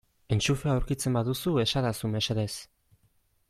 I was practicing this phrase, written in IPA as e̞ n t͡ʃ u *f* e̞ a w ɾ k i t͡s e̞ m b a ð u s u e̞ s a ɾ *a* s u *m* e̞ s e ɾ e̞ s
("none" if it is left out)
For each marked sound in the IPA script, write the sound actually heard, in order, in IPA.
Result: f, a, m

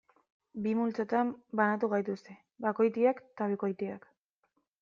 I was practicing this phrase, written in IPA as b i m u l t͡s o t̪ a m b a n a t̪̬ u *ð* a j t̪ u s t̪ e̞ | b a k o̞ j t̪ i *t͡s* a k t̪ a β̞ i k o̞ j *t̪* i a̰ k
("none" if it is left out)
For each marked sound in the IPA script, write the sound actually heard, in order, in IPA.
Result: ɣ, none, t̪

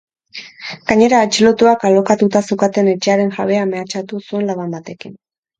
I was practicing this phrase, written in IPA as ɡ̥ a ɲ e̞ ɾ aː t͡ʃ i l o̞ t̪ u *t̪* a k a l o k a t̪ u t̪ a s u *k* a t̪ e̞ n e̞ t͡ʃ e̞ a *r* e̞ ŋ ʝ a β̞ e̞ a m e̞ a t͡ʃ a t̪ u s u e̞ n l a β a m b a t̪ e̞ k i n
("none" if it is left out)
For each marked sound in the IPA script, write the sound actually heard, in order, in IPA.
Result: none, k, ɾ

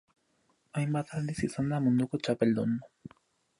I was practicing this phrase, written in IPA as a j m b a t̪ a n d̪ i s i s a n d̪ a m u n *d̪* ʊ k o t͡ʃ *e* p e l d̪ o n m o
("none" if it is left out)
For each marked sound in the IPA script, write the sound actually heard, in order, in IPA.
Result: d̪, a

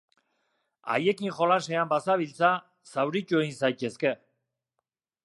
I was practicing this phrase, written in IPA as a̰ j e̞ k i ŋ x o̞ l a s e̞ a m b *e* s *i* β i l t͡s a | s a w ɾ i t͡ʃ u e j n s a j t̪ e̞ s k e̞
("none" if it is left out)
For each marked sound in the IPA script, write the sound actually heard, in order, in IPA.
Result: a, a

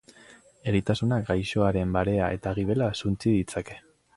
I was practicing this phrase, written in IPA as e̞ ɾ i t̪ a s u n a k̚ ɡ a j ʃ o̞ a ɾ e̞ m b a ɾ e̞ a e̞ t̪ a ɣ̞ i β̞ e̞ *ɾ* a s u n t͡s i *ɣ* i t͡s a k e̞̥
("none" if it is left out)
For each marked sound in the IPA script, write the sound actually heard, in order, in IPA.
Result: l, ð

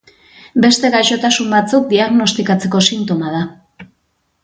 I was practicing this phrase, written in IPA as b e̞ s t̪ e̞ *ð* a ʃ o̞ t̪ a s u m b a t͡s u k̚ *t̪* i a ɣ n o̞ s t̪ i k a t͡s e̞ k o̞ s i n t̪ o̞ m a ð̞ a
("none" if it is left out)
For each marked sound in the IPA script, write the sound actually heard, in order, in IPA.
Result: ɣ, d̪

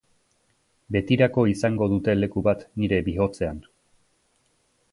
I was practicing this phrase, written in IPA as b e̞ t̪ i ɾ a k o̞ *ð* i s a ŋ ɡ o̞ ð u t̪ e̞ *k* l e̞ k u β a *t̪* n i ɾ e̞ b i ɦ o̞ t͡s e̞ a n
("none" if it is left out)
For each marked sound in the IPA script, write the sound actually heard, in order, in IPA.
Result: none, none, t̪

